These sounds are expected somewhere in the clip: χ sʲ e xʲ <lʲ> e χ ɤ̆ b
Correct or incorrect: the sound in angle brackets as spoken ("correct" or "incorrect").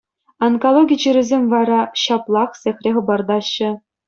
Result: incorrect